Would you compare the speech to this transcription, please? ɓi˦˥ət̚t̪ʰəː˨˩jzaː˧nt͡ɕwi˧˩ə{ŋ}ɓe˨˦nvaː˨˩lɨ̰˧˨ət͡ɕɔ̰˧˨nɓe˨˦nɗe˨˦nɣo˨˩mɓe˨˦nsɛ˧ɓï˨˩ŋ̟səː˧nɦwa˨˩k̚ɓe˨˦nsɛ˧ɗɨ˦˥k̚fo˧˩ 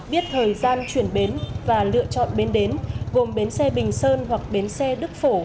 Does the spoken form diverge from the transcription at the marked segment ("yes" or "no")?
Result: yes